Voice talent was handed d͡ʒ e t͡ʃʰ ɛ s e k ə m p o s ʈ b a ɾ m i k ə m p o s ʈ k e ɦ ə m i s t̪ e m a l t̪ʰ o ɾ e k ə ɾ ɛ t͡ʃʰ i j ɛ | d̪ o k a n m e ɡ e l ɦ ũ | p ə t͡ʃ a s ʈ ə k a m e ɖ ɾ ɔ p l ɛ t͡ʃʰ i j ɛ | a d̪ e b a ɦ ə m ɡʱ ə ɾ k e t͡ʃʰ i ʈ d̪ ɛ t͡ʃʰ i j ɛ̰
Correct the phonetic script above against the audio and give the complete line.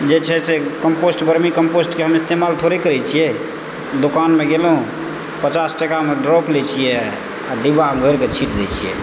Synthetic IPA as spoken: d͡ʒ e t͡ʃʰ ɛ s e k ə m p o s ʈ b ə ɾ m i k ə m p o s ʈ k e ɦ ə m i s t̪ e m a l t̪ʰ o ɾ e k ə ɾ ɛ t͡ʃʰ i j ɛ | d̪ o k a n m e ɡ e l ɦ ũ | p ə t͡ʃ a s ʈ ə k a m e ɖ ɾ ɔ p l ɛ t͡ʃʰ i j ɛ | a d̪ i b a ɦ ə m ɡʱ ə ɾ k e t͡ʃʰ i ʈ d̪ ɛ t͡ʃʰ i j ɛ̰